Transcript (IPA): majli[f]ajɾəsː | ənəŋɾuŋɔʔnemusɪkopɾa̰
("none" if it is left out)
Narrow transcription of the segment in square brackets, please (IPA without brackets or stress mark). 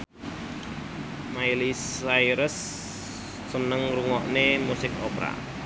s